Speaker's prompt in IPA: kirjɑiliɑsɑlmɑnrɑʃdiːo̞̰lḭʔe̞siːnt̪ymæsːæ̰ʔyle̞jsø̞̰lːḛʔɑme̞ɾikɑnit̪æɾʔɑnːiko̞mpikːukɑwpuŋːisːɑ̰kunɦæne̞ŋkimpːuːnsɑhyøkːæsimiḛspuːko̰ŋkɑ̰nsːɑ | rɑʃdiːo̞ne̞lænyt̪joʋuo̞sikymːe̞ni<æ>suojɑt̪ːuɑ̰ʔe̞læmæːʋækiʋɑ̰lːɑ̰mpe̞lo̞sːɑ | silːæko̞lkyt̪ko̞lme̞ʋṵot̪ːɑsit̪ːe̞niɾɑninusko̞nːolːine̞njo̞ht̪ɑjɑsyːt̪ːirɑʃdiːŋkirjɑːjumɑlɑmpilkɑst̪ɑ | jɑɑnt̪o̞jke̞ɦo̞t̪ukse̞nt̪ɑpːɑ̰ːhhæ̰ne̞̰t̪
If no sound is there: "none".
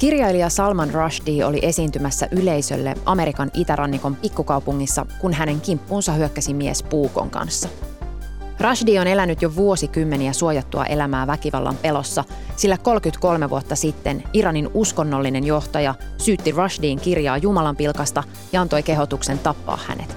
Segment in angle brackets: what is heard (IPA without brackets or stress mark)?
æ